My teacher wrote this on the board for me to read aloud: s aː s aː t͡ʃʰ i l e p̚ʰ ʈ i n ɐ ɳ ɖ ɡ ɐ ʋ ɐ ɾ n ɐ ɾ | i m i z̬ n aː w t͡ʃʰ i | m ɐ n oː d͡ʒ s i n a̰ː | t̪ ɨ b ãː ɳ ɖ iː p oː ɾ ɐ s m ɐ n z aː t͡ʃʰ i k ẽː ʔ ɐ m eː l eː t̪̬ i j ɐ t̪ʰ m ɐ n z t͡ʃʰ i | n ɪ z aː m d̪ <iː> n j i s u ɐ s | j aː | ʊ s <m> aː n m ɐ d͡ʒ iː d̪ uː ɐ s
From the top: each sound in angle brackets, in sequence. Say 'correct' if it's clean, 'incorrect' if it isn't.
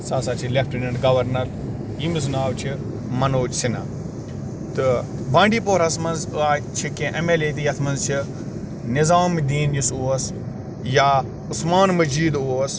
correct, correct

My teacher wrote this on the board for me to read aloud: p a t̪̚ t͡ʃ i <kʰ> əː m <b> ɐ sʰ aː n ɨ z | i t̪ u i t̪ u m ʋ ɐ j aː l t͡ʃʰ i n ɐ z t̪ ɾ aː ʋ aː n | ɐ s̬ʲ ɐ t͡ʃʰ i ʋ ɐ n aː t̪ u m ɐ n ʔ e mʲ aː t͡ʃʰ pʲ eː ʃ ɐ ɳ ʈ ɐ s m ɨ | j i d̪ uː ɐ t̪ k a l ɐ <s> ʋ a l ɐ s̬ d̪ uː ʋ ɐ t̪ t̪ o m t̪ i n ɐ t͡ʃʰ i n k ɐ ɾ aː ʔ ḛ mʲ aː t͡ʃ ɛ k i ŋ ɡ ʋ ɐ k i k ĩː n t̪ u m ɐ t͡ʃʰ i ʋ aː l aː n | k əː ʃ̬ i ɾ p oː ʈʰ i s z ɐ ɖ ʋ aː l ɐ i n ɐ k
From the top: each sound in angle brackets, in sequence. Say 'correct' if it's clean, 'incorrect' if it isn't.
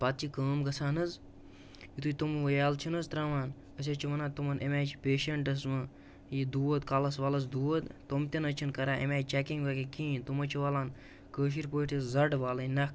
incorrect: k, incorrect: ɡ, correct

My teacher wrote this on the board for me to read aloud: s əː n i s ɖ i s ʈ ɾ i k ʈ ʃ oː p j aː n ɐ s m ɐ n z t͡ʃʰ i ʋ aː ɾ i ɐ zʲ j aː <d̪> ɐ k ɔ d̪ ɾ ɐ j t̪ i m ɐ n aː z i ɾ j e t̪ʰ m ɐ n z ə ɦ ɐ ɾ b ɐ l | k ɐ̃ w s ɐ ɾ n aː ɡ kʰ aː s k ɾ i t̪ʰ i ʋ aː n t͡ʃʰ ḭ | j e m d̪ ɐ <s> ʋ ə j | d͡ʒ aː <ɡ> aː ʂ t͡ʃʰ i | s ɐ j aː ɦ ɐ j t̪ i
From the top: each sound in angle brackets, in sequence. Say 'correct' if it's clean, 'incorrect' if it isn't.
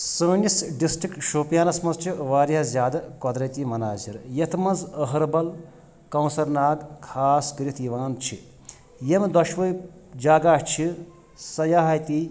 correct, incorrect: ʃ, correct

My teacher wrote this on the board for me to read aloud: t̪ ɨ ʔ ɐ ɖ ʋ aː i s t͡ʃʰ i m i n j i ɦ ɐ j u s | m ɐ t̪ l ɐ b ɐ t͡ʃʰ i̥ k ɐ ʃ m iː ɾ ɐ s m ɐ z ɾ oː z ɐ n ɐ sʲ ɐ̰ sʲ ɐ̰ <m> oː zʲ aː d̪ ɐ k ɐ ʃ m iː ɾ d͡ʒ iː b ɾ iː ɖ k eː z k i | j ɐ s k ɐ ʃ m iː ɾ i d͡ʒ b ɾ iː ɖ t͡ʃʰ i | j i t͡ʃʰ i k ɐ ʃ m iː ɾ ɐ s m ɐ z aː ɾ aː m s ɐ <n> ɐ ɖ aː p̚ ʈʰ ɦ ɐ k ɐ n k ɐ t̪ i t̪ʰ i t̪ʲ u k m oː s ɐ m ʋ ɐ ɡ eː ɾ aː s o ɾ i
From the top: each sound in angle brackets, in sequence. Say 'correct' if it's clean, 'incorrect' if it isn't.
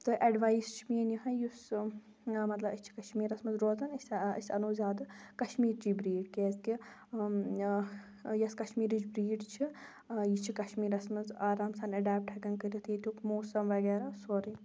incorrect: n, correct

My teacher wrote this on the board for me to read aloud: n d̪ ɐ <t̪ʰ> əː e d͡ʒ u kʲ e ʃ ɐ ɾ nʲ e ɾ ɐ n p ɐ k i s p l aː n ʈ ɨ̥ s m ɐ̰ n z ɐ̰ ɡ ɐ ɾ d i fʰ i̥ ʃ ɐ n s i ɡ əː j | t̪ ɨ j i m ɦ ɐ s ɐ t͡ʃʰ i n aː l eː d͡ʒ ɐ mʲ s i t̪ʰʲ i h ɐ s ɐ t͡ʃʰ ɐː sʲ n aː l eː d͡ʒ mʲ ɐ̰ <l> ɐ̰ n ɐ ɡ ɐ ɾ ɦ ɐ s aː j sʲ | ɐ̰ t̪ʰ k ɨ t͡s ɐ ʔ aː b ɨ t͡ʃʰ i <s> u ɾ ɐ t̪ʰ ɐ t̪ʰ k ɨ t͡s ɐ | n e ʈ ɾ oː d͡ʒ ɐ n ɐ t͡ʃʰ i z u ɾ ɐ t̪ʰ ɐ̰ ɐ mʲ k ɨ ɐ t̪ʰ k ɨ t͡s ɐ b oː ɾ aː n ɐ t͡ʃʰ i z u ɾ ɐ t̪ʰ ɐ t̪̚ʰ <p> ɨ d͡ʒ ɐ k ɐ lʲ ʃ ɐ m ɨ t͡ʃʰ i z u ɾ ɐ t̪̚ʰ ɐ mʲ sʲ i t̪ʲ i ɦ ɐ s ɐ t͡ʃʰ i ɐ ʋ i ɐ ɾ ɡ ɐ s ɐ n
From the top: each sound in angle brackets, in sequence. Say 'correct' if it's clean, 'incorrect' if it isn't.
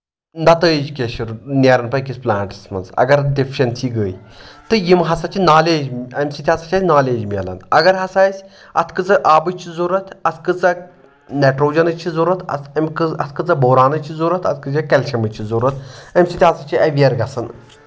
incorrect: t̪, correct, incorrect: z, incorrect: k

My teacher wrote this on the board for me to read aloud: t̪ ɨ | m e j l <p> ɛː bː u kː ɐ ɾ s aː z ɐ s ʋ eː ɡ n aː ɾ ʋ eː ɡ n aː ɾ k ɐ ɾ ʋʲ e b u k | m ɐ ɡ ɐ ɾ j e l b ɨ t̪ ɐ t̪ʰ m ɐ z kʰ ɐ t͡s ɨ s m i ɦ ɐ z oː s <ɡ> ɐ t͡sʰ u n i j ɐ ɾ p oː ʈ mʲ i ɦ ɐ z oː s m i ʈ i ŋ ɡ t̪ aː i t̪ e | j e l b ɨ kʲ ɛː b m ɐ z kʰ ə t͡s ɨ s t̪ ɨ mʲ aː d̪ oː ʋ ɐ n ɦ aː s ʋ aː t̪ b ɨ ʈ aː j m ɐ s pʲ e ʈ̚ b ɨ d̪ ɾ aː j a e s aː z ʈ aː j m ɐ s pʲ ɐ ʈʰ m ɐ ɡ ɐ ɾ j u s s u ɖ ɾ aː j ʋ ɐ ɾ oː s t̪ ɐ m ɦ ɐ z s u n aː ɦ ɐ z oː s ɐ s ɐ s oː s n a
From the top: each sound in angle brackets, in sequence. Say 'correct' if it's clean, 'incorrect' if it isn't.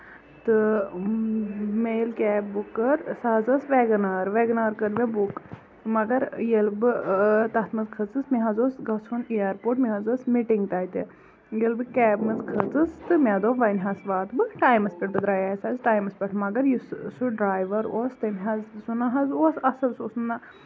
incorrect: k, correct

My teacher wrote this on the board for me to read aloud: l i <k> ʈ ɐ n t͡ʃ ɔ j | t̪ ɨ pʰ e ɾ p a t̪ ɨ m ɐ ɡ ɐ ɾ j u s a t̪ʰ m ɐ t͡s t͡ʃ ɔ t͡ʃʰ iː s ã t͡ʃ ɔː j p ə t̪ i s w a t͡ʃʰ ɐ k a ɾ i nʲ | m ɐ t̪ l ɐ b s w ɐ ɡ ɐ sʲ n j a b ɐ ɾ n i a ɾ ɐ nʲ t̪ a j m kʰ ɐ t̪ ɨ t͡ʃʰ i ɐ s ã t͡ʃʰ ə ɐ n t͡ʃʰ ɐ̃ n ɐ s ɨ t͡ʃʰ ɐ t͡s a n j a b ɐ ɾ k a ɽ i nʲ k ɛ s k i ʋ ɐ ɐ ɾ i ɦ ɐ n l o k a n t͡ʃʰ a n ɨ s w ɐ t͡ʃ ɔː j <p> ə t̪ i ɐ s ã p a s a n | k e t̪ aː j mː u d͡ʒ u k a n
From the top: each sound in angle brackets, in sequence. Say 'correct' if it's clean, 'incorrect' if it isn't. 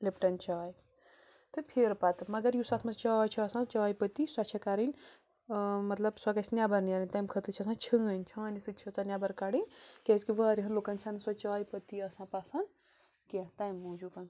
incorrect: p, correct

